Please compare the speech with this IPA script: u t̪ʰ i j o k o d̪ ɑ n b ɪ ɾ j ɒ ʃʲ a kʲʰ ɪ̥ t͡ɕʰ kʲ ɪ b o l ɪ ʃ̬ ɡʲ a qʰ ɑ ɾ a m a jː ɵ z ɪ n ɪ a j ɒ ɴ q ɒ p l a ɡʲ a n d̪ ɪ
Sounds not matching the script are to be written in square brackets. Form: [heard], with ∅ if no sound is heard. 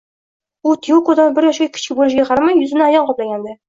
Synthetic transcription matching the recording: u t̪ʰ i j o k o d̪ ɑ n b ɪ ɾ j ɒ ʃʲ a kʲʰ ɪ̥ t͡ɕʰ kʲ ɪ b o l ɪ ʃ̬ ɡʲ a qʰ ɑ ɾ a m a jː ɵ z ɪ n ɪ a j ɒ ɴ q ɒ p l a ɡʲ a n d̪ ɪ